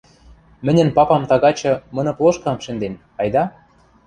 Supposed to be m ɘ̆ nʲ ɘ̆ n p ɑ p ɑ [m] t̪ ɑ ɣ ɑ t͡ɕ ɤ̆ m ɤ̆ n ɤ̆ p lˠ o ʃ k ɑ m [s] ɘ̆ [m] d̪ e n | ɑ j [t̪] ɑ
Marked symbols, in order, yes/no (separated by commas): yes, no, no, no